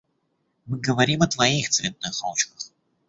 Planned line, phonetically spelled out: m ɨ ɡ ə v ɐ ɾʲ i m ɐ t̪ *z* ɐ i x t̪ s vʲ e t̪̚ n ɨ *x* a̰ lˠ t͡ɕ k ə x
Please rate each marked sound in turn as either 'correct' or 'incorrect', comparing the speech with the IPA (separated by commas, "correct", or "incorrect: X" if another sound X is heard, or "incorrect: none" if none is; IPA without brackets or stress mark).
incorrect: v, correct